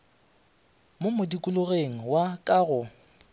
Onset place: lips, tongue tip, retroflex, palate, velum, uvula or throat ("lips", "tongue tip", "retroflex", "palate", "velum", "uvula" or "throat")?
lips